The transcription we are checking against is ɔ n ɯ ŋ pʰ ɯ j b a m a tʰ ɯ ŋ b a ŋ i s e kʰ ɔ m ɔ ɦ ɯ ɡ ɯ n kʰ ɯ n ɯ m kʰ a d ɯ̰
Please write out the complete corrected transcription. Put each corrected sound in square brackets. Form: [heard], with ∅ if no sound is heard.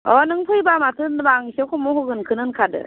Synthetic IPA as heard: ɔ n ɯ ŋ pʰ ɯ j b a m a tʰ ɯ [n] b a ŋ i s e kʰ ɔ m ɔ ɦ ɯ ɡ ɯ n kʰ ɯ n ɯ [n] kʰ a d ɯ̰